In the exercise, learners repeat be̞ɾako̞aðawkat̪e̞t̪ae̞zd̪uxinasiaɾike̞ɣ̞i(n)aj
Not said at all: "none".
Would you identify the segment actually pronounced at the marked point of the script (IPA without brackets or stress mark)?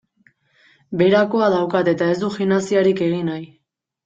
n